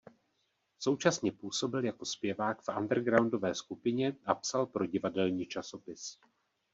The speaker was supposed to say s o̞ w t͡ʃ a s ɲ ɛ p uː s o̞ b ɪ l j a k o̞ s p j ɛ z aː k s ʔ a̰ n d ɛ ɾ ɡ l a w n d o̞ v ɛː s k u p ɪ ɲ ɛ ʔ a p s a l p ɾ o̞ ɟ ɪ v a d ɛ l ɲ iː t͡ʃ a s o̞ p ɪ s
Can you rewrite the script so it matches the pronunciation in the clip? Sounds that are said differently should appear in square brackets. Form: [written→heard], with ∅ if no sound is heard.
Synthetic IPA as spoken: s o̞ w t͡ʃ a s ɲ ɛ p uː s o̞ b ɪ l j a k o̞ s p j ɛ [z→v] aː k [s→f] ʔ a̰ n d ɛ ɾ ɡ [l→ɾ] a w n d o̞ v ɛː s k u p ɪ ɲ ɛ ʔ a p s a l p ɾ o̞ ɟ ɪ v a d ɛ l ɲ iː t͡ʃ a s o̞ p ɪ s